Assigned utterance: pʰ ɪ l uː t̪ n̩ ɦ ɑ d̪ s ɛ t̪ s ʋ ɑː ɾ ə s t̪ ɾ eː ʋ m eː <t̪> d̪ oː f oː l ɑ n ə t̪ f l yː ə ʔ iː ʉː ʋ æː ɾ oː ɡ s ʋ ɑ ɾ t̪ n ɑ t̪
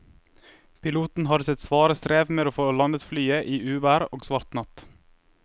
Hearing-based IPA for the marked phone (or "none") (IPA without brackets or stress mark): none